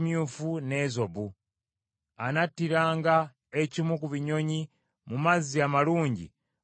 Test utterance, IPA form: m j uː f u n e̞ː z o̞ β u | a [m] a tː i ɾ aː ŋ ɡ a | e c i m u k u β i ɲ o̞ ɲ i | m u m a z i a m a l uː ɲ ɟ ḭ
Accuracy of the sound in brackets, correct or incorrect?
incorrect: n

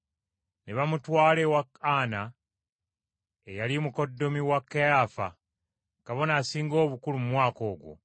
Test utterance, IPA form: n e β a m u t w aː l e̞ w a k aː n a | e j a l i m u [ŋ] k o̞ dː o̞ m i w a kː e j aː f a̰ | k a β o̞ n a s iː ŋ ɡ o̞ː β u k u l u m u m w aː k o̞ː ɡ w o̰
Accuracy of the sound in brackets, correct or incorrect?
incorrect: none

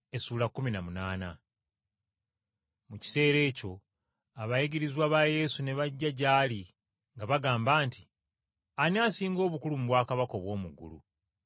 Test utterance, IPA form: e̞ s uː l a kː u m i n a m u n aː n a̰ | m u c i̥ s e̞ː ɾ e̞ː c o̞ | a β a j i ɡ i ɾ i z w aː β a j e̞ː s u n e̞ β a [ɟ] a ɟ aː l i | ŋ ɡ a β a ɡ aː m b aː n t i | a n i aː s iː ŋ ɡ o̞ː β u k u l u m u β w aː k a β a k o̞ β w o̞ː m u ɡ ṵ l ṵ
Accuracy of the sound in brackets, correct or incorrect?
incorrect: ɟː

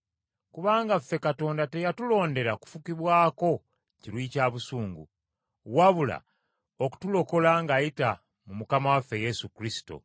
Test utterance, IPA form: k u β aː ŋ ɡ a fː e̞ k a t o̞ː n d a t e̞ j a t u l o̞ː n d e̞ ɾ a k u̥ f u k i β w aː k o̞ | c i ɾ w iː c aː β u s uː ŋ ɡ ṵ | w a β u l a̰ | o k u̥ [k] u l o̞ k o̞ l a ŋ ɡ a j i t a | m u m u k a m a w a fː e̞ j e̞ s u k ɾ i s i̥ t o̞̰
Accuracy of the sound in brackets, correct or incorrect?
incorrect: t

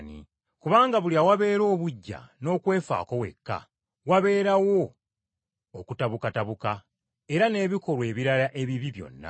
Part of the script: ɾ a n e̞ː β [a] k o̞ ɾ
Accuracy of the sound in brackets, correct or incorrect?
incorrect: i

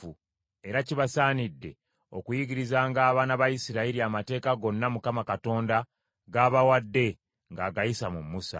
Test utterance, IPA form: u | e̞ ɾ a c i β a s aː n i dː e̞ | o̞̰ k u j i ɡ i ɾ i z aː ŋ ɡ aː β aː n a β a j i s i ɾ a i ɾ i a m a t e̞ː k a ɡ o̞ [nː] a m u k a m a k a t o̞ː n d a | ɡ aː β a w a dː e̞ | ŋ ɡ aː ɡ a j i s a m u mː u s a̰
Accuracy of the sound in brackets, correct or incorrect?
correct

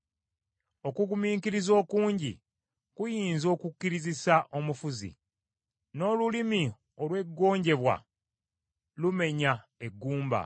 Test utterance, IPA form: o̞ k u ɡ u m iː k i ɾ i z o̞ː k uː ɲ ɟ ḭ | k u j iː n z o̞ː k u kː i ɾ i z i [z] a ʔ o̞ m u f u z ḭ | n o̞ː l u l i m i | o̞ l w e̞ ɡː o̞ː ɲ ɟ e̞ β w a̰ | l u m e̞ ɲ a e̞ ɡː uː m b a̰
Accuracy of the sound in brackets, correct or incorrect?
incorrect: s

